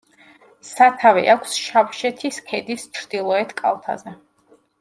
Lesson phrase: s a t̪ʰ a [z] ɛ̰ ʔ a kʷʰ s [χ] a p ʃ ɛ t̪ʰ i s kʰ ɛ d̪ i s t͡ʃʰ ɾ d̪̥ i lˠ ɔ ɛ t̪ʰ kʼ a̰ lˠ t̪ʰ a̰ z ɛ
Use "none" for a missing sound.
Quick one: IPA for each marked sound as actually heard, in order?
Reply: v, ʃ

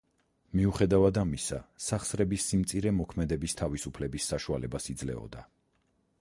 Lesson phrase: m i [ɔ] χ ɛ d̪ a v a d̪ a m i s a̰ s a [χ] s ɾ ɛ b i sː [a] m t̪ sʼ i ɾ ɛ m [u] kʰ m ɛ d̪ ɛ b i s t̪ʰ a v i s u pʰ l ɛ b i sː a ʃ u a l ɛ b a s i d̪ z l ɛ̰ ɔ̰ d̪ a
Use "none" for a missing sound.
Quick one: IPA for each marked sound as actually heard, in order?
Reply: u, χ, i, ɔ

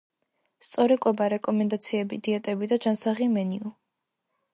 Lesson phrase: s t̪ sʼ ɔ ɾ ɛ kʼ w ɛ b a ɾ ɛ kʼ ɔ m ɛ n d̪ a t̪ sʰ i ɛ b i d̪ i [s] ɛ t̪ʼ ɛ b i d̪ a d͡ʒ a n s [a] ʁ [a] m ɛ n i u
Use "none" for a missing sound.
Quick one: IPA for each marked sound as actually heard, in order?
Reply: none, a, i

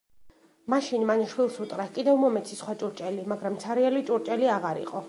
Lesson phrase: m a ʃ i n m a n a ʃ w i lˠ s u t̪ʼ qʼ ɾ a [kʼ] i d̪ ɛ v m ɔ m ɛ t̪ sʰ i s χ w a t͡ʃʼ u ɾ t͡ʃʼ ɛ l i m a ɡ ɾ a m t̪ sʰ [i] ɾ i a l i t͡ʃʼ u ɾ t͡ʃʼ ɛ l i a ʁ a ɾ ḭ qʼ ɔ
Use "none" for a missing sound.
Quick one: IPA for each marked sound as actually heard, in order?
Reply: kʼ, a

